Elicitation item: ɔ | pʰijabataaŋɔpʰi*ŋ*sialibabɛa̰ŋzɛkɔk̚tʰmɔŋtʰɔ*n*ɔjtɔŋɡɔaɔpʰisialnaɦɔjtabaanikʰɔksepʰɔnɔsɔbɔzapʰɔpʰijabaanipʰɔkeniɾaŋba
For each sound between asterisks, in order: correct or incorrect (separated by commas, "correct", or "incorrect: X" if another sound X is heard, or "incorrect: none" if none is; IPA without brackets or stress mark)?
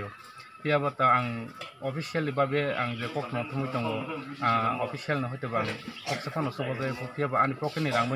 incorrect: none, incorrect: m